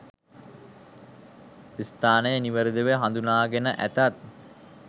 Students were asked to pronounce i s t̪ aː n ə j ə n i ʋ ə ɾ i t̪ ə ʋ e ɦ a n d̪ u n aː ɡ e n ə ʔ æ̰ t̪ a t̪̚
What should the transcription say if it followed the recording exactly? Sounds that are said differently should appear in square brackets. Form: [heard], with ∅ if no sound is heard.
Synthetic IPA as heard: i s t̪ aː n ə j ə n i ʋ ə ɾ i [d̪] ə ʋ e ɦ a n d̪ u n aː ɡ e n ə ʔ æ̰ t̪ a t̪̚